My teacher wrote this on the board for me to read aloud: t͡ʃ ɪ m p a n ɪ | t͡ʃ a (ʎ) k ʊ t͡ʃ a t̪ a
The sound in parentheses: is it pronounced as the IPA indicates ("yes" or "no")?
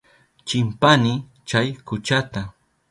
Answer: no